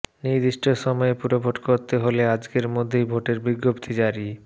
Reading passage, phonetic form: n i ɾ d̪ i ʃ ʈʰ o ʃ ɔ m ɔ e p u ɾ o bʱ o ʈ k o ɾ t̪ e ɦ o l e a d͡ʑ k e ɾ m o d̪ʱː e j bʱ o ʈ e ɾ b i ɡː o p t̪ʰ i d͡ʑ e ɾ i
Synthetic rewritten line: n i ɾ d̪ i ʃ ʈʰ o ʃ ɔ m ɔ e p u ɾ o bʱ o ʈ k o ɾ t̪ e ɦ o l e a d͡ʑ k e ɾ m o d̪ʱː e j bʱ o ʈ e ɾ b i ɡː o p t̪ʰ i d͡ʑ a ɾ i

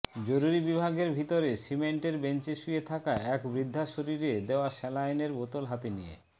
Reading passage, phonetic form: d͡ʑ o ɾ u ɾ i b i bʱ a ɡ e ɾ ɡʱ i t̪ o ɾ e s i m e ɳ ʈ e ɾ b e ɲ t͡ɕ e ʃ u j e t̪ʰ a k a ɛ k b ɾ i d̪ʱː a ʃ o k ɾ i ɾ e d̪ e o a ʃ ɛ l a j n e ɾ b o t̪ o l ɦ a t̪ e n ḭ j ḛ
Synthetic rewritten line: d͡ʑ o ɾ u ɾ i b i bʱ a ɡ e ɾ bʱ i t̪ o ɾ e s i m e ɳ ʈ e ɾ b e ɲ t͡ɕ e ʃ u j e t̪ʰ a k a ɛ k b ɾ i d̪ʱː a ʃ o ɾ i ɾ e d̪ e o a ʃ ɛ l a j n e ɾ b o t̪ o l ɦ a t̪ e n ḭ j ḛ

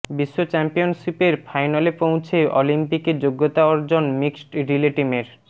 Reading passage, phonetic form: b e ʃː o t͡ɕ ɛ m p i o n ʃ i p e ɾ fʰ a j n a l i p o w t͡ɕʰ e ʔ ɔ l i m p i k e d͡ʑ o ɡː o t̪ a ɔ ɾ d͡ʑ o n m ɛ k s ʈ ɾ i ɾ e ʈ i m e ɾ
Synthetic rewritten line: b i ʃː o t͡ɕ ɛ m p i o n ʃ i p e ɾ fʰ a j n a l e p o w t͡ɕʰ e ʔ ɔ l i m p i k e d͡ʑ o ɡː o t̪ a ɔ ɾ d͡ʑ o n m i k s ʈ ɾ i l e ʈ i m e ɾ

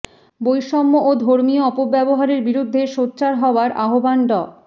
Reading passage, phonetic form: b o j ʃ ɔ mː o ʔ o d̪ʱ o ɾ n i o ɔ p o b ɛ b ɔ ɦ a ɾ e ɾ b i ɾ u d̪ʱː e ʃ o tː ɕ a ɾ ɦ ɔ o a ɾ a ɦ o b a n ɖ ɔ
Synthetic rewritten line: b o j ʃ ɔ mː o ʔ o d̪ʱ o ɾ m i o ɔ p o b ɛ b o ɦ a ɾ e ɾ b i ɾ u d̪ʱː e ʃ o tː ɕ a ɾ ɦ ɔ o a ɾ a ɦ o b a n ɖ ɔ

